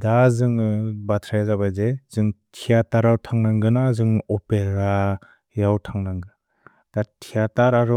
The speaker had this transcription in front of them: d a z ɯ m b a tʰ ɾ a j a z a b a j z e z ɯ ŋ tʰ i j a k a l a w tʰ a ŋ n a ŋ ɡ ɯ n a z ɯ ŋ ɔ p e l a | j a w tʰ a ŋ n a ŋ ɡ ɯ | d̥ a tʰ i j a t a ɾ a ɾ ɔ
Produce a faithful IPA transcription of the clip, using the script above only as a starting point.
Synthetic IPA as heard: d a z ɯ ŋ b a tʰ ɾ a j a z a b a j z e z ɯ ŋ tʰ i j a t a ɾ a w tʰ a ŋ n a ŋ ɡ ɯ n a z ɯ ŋ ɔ p e ɾ a | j a w tʰ a ŋ n a ŋ ɡ ɯ | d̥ a tʰ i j a t a ɾ a ɾ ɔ